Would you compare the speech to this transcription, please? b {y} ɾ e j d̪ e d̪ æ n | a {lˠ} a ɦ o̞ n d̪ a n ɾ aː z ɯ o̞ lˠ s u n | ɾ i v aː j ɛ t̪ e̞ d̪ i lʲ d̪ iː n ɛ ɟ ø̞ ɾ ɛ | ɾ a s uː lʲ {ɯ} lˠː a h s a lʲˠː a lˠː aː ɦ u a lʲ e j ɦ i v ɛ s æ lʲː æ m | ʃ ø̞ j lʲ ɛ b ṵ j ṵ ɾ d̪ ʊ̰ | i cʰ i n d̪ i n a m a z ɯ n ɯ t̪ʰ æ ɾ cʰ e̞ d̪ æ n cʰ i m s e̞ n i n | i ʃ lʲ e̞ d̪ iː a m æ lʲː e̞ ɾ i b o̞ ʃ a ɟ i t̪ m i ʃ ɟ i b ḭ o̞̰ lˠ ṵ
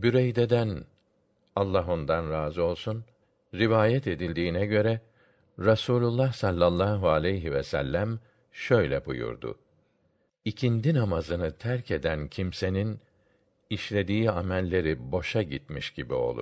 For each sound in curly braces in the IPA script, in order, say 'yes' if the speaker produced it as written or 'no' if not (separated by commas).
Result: yes, no, no